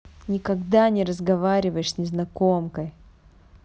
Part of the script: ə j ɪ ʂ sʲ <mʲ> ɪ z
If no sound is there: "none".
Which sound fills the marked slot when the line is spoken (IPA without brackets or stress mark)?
nʲ